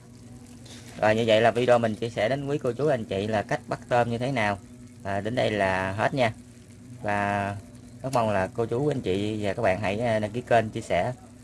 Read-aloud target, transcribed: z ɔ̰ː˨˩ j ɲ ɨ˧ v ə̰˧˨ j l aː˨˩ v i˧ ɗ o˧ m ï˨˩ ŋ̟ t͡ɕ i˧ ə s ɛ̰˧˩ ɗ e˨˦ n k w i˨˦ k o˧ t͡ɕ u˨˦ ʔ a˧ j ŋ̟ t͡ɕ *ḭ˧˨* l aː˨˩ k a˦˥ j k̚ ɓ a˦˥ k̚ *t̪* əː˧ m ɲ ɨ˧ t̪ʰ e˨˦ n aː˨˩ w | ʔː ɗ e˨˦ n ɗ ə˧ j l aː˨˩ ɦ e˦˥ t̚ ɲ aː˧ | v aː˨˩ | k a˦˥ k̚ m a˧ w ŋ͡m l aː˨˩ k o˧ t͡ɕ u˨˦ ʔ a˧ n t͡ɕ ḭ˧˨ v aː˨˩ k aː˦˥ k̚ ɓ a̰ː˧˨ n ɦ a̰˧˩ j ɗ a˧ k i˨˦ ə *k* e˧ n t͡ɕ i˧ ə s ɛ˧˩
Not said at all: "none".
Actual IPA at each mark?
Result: ḭ˧˨, t̪, k

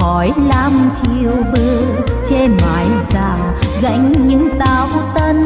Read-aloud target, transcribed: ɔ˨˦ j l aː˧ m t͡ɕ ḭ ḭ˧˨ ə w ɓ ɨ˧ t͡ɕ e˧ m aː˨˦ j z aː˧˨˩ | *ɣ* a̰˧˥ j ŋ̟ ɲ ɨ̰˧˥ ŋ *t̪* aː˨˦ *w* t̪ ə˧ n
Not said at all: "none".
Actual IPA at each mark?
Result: ɣ, t̪, w

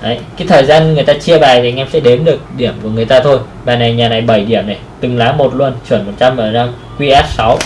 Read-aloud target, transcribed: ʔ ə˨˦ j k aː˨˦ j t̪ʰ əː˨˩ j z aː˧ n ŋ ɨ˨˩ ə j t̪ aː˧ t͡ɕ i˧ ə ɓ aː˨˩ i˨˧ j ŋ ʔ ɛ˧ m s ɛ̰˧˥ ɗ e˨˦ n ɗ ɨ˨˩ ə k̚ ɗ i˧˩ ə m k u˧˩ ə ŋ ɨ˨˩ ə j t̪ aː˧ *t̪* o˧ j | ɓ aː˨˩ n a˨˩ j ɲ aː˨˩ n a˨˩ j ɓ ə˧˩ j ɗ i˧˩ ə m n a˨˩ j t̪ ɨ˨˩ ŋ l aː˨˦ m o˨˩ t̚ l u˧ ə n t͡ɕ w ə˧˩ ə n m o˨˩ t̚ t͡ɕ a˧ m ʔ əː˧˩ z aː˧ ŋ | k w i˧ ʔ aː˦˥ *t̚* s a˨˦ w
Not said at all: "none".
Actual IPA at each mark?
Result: t̪ʰ, t̚

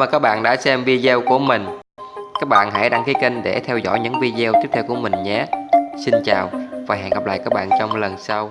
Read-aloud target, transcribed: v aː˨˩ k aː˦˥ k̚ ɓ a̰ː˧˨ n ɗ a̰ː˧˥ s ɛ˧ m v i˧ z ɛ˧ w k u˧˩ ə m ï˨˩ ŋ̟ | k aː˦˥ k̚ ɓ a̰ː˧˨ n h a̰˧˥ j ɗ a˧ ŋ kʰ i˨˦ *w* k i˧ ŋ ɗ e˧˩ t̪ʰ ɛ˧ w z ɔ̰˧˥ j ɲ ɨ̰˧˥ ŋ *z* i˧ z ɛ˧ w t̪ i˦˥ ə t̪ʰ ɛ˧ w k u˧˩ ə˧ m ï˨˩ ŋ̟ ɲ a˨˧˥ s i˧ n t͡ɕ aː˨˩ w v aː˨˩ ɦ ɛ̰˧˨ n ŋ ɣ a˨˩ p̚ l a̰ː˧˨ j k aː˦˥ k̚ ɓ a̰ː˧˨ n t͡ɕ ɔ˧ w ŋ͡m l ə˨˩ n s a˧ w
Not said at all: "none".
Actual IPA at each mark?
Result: none, v

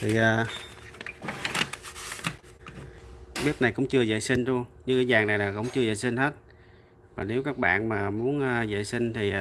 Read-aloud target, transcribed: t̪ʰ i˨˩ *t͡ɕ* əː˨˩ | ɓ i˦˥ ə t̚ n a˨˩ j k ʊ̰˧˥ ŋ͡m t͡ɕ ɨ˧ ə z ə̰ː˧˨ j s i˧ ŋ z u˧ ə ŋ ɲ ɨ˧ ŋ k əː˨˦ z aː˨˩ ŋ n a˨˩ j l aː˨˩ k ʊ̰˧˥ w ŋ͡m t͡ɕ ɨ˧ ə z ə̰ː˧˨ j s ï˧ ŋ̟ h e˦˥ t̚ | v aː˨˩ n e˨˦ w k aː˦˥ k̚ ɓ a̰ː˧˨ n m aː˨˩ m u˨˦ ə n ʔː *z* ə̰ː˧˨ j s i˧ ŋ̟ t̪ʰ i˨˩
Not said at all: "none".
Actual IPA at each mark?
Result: none, z

